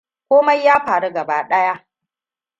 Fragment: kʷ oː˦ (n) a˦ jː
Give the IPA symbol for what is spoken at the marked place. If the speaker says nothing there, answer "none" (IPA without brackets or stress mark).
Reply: m